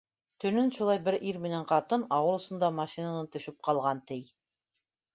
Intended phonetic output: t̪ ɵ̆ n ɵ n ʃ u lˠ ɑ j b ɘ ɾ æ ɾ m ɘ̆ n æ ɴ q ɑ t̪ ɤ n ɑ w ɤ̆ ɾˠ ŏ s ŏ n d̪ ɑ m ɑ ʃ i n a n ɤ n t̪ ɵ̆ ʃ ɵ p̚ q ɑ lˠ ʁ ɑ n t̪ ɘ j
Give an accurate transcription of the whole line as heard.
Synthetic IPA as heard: t̪ ɵ̆ n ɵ n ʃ u lˠ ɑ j b ɘ ɾ i ɾ m ɘ̆ n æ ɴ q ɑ t̪ ɤ n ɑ w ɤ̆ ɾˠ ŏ s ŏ n d̪ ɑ m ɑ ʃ i n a n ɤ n t̪ ɵ̆ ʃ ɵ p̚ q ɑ lˠ ʁ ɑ n t̪ ɘ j